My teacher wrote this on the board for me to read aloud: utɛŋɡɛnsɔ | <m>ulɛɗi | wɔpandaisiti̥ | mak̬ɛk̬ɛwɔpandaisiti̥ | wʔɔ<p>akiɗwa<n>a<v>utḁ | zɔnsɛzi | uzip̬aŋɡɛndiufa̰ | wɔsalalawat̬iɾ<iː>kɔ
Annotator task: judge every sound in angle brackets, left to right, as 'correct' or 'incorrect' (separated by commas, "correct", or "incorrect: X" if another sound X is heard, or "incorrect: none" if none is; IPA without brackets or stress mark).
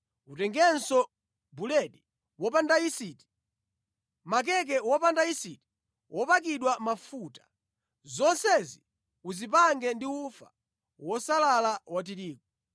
incorrect: b, correct, incorrect: m, incorrect: f, correct